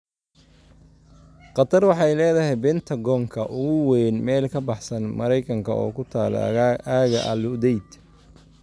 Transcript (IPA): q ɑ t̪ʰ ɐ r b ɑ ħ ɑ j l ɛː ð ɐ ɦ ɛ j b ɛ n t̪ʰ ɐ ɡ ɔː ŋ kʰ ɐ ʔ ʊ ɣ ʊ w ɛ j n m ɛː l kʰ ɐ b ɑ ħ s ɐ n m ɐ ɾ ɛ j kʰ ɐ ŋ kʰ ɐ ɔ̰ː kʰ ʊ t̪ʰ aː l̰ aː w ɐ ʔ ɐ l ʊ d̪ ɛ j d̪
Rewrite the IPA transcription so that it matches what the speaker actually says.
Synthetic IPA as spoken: q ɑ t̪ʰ ɐ r w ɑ ħ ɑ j l ɛː ð ɐ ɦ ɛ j b ɛ n t̪ʰ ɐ ɡ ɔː ŋ kʰ ɐ ʔ ʊ ɣ ʊ w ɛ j n m ɛː l kʰ ɐ b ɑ ħ s ɐ n m ɐ ɾ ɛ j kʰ ɐ ŋ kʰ ɐ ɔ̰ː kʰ ʊ t̪ʰ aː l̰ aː ɣ ɐ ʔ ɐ l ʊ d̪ ɛ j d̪